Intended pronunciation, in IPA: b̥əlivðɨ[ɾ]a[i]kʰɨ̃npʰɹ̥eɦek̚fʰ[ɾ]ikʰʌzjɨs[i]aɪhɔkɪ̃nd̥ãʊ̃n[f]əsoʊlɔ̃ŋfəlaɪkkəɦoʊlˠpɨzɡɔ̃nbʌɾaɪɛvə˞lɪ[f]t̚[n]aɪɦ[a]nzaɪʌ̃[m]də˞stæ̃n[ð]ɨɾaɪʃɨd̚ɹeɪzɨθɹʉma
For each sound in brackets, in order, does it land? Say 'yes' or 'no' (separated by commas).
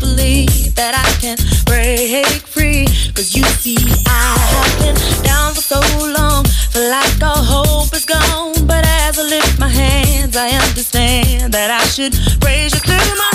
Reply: yes, no, no, yes, yes, yes, no, no, no, yes